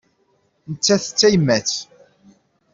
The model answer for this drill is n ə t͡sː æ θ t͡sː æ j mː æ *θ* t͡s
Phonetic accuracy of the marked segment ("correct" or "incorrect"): incorrect